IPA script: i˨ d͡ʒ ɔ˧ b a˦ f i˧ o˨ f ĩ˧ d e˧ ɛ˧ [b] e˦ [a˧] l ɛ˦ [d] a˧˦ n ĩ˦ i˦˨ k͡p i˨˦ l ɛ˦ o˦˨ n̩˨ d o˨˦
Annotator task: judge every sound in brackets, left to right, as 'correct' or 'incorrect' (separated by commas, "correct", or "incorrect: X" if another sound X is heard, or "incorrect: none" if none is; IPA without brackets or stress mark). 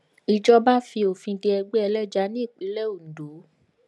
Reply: incorrect: ɡ͡b, incorrect: ɛ˧, incorrect: d͡ʒ